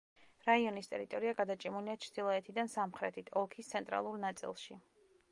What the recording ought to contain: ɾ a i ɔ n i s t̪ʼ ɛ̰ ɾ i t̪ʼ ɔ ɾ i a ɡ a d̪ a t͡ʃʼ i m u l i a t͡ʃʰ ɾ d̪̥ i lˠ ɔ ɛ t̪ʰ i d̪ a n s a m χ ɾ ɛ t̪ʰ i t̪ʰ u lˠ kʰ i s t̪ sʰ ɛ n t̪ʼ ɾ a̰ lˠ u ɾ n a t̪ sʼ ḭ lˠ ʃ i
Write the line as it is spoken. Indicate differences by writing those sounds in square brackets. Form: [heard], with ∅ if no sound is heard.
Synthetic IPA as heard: ɾ a i ɔ n i s t̪ʼ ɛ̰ ɾ i t̪ʼ ɔ ɾ i a ɡ a d̪ a t͡ʃʼ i m u l i a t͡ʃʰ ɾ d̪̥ i lˠ ɔ ɛ t̪ʰ i d̪ a n s a m χ ɾ ɛ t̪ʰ i t̪ʰ [ɔ] lˠ kʰ i s t̪ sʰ ɛ n t̪ʼ ɾ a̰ lˠ u ɾ n a t̪ sʼ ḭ lˠ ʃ i

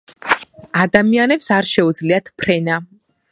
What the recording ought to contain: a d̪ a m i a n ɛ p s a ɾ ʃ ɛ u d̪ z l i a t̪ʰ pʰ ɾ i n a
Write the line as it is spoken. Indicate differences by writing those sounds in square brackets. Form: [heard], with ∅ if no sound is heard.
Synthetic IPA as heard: a d̪ a m i a n ɛ p s a ɾ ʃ ɛ u d̪ z l i a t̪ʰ pʰ ɾ [ɛ] n a

